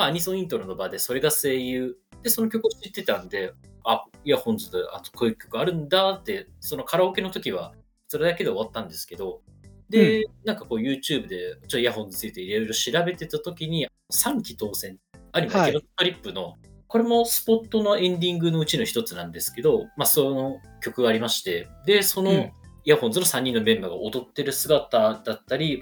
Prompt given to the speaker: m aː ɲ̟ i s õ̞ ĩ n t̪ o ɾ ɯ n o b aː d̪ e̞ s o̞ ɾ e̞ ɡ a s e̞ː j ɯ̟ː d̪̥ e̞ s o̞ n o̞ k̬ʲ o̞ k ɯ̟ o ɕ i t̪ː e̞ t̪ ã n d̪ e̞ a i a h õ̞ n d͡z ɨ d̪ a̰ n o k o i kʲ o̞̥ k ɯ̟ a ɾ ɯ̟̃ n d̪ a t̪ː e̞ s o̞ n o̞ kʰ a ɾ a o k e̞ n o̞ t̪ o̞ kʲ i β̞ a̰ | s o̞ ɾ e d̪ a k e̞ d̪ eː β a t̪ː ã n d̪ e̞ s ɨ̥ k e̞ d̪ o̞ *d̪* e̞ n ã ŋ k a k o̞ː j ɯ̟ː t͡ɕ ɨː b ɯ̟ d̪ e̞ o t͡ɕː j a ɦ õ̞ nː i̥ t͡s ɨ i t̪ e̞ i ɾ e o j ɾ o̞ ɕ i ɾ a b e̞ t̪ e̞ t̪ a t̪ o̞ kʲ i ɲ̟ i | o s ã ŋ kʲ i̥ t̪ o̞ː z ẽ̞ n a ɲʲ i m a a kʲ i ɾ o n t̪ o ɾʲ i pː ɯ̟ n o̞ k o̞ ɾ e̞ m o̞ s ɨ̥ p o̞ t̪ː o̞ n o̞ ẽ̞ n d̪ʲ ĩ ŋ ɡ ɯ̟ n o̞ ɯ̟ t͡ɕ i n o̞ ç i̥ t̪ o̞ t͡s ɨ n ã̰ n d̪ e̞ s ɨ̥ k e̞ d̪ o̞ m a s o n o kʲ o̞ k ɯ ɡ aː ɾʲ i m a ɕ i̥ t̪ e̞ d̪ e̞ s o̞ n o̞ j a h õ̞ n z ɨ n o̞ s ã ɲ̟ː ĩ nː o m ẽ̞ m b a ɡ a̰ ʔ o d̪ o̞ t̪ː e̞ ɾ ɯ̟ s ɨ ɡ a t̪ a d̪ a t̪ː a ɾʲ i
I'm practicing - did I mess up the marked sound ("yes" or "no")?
no